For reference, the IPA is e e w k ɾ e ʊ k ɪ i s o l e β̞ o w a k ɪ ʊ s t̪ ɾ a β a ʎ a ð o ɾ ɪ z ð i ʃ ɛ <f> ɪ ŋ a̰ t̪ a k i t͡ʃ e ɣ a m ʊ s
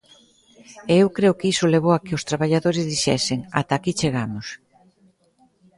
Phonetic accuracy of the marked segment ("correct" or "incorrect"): incorrect